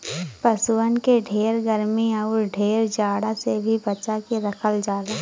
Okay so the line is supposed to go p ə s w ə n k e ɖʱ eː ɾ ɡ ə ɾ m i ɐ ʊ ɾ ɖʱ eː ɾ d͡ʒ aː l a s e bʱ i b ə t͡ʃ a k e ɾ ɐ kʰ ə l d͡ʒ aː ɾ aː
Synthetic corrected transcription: p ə s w ə n k e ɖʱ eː ɾ ɡ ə ɾ m i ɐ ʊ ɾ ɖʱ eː ɾ d͡ʒ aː ɽ a s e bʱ i b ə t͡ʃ a k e ɾ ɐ kʰ ə l d͡ʒ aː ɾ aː